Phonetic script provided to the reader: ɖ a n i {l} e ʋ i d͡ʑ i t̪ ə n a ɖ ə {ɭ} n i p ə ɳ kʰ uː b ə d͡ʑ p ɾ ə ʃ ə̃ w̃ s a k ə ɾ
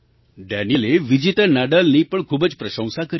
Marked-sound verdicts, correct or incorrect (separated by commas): correct, incorrect